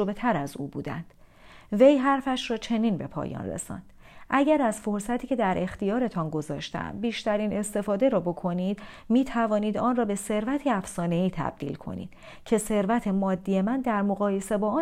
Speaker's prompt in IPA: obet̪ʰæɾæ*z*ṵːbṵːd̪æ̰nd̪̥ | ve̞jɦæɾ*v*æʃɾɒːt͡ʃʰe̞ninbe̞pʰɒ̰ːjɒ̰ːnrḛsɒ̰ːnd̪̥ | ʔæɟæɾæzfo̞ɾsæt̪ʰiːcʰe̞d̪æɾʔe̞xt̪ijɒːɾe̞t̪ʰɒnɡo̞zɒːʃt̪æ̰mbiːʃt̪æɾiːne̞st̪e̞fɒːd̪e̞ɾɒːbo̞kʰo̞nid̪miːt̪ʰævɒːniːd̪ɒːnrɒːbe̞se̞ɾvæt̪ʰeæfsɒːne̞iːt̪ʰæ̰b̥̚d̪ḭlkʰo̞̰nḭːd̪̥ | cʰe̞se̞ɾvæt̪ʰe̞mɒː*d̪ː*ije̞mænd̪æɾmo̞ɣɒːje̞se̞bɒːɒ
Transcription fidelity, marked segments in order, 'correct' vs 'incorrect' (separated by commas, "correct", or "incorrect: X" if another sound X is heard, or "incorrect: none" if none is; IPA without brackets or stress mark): correct, incorrect: f, correct